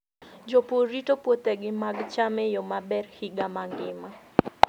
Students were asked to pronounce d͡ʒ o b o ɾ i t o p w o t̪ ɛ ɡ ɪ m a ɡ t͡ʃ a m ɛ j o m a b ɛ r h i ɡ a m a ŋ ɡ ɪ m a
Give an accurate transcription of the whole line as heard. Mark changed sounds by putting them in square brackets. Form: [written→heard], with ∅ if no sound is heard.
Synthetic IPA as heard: d͡ʒ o [b→p] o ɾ i t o p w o t̪ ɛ ɡ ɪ m a ɡ t͡ʃ a m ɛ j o m a b ɛ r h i ɡ a m a ŋ ɡ ɪ m a